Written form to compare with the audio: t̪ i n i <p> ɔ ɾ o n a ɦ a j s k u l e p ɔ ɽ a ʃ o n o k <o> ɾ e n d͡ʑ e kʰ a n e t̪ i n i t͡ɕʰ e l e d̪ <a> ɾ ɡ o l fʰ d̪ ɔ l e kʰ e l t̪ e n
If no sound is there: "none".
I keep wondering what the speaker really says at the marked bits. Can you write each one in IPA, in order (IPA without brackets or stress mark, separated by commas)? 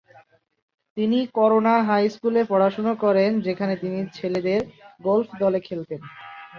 k, ɔ, e